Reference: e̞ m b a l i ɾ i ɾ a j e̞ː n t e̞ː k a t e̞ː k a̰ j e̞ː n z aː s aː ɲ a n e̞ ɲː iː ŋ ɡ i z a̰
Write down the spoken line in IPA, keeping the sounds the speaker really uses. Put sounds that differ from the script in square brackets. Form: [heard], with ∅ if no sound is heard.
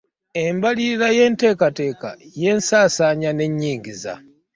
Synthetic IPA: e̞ m b a l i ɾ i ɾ a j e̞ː n t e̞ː k a t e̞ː k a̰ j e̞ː n [s] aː s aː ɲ a n e̞ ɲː iː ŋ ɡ i z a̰

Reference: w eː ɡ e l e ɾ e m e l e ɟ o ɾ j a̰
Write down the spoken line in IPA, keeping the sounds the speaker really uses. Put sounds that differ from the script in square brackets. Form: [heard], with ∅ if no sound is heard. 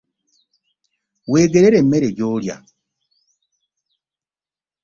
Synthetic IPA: w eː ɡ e [ɾ] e ɾ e m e [ɾ] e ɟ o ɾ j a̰

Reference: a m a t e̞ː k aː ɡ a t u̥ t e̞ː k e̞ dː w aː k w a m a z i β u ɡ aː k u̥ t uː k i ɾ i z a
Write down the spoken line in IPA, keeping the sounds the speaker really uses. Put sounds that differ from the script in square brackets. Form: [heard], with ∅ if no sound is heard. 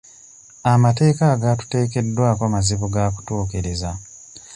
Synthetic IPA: a m a t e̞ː k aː ɡ a t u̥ t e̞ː k e̞ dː w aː k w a m a z i β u ɡ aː k u̥ t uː k i ɾ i z a

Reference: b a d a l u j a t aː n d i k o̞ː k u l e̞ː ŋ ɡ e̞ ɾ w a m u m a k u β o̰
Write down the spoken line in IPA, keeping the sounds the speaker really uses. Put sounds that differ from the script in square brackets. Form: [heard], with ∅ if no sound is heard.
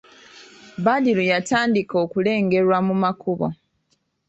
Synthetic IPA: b a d [i] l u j a t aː n d i k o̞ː k u l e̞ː ŋ ɡ e̞ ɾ w a m u m a k u β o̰

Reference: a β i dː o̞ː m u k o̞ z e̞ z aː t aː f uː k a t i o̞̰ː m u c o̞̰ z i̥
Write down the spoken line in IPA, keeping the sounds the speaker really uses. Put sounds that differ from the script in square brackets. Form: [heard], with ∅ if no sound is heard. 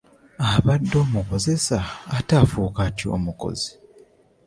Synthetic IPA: a β [a] dː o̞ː m u k o̞ z e̞ [s] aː t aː f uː k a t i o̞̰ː m u [k] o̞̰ z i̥

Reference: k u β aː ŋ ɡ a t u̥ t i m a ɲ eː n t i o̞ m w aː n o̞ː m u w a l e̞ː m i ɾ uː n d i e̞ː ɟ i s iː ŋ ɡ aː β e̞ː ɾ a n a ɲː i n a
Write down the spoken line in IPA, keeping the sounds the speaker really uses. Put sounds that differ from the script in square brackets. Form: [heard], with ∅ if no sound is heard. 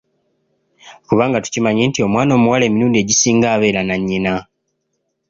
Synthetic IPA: k u β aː ŋ ɡ a t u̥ [c] i m a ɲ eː n t i o̞ m w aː n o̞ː m u w a l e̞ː m i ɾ uː n d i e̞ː ɟ i s iː ŋ ɡ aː β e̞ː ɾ a n a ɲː i n a

